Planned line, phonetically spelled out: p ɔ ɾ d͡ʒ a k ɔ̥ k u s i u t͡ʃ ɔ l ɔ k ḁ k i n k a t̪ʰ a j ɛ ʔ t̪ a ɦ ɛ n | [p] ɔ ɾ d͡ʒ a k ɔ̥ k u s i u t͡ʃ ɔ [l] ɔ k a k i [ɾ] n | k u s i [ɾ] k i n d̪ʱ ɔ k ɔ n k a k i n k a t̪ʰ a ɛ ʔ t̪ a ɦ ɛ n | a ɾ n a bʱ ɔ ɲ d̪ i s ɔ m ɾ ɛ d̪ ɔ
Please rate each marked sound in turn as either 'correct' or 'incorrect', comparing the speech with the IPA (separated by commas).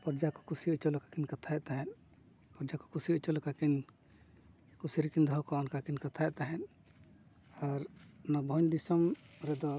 correct, correct, incorrect, correct